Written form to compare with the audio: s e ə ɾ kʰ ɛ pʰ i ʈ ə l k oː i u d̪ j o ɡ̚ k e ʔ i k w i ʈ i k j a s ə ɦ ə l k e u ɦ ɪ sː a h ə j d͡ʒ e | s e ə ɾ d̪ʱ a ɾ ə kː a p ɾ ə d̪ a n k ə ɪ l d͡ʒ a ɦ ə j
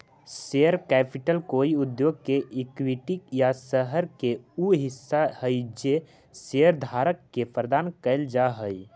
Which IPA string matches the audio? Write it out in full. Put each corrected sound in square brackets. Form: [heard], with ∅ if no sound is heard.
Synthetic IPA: s e ə ɾ [k] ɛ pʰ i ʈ ə l k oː i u d̪ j o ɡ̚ k e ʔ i k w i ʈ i k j a s ə ɦ ə [ɾ] k e u ɦ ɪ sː a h ə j d͡ʒ e | s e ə ɾ d̪ʱ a ɾ ə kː [e] p ɾ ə d̪ a n k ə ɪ l d͡ʒ a ɦ ə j